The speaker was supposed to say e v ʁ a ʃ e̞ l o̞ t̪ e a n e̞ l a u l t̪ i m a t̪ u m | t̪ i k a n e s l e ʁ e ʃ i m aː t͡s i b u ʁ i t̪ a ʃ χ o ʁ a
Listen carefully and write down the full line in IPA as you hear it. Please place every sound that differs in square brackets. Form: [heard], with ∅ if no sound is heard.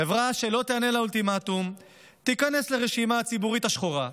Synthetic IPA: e v ʁ a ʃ e̞ l o̞ t̪ e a n e̞ l a u l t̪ i m a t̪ u m | t̪ i k a n e s l e ʁ e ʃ i m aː t͡s i b u ʁ i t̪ a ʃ χ o ʁ a